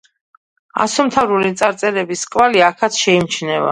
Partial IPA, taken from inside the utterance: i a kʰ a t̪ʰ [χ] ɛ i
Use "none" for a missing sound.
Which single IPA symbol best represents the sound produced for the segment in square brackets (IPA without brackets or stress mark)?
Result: ʃ